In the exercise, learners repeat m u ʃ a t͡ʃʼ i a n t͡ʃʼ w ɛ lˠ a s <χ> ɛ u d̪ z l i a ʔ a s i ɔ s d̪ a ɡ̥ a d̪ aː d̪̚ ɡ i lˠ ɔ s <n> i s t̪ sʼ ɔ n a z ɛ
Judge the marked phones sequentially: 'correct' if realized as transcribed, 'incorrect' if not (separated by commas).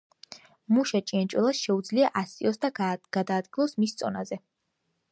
incorrect, incorrect